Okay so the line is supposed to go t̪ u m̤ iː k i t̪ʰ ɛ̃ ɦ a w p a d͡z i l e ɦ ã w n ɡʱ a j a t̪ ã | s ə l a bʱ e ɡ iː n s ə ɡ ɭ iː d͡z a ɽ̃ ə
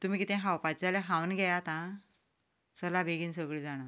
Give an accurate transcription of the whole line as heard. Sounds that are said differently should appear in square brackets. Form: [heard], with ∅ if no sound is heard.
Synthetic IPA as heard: t̪ u m̤ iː k i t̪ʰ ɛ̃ ɦ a w p a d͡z [a] l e ɦ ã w n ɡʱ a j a t̪ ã | s ə l a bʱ e ɡ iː n s ə ɡ ɭ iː d͡z a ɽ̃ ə